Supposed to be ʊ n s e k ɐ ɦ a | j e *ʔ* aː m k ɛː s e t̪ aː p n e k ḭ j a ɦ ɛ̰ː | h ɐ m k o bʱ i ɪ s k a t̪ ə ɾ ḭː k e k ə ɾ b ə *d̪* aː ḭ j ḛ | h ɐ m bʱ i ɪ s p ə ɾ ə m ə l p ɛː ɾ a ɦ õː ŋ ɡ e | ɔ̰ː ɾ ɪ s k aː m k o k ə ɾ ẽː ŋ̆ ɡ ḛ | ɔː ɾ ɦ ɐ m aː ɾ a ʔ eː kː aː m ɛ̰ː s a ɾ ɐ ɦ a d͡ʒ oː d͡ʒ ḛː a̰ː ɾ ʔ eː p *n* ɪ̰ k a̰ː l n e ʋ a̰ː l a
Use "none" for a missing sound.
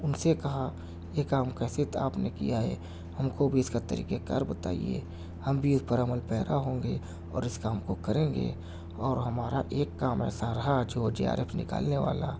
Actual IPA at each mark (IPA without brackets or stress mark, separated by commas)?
k, t̪, n